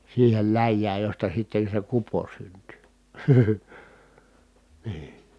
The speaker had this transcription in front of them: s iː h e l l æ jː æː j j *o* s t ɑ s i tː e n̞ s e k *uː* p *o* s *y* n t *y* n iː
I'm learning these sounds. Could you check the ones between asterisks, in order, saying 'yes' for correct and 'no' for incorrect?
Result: yes, no, yes, yes, yes

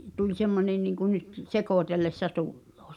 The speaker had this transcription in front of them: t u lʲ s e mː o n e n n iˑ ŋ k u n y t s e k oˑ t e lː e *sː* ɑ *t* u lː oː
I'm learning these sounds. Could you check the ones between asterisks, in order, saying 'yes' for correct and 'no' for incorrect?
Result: yes, yes

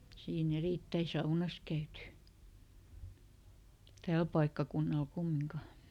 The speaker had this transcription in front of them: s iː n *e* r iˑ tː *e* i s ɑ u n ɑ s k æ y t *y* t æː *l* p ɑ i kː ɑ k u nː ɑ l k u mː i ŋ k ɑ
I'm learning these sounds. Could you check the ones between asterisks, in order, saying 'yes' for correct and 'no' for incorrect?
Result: yes, no, yes, yes

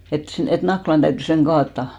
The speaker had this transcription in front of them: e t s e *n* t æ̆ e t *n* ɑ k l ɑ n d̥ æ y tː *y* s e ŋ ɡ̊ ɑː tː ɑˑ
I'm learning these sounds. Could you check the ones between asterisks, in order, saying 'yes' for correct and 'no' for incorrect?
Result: yes, yes, yes

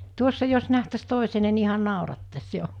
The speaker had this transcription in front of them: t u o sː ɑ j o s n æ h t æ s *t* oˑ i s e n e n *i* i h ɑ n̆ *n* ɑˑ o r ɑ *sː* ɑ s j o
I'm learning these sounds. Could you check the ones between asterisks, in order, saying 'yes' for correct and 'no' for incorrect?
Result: yes, yes, yes, no

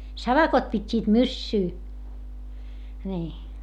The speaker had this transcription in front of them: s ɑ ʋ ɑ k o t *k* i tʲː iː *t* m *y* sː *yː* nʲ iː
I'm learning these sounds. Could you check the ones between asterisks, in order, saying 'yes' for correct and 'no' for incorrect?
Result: no, yes, yes, yes

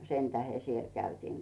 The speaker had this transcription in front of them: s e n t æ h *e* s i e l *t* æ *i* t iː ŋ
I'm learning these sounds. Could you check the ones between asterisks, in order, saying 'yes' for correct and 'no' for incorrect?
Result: yes, no, no

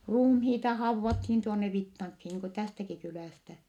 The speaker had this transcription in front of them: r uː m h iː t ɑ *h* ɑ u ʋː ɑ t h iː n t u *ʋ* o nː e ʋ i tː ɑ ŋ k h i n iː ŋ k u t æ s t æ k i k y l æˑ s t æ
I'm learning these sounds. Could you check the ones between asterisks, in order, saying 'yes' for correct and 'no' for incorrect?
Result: yes, no

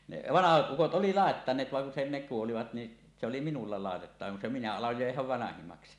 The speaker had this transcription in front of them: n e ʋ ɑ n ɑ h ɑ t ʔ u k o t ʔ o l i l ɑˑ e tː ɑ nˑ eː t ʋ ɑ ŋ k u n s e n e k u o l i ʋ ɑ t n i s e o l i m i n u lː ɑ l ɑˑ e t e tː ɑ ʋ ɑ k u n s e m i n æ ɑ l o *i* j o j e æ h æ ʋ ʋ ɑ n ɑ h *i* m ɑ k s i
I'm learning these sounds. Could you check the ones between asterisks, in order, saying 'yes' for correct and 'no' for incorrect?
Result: no, yes

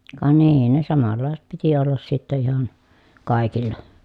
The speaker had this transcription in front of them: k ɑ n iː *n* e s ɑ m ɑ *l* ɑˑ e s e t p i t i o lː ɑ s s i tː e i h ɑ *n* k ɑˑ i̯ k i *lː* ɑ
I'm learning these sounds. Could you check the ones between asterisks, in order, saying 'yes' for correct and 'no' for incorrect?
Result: yes, no, yes, yes

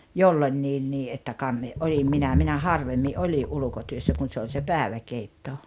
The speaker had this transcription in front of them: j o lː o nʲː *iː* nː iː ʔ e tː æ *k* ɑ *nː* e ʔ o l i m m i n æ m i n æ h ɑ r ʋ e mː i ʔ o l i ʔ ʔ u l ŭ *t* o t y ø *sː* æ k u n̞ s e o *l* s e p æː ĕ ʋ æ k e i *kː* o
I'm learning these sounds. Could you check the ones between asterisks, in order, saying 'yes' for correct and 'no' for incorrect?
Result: yes, yes, yes, no, yes, yes, no

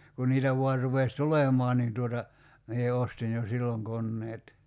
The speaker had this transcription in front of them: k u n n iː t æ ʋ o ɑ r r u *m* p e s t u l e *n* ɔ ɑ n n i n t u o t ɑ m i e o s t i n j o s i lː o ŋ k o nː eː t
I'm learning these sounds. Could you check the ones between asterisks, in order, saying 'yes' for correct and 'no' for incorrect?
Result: no, no

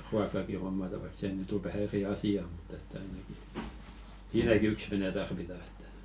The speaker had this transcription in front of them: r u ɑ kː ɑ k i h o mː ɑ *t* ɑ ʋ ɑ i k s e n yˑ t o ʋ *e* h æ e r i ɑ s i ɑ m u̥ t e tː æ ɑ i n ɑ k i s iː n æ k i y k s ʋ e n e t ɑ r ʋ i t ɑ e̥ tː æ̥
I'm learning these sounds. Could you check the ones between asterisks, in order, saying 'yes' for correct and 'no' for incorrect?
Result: yes, no

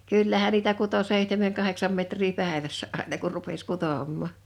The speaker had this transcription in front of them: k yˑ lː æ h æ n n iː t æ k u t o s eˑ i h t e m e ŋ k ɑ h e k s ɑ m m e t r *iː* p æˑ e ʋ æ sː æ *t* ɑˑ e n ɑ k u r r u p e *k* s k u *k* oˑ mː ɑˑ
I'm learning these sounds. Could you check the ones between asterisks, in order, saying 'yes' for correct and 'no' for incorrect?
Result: yes, no, no, no

